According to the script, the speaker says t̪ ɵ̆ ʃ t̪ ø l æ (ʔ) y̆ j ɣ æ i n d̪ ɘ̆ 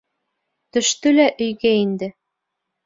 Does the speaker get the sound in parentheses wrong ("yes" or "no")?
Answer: no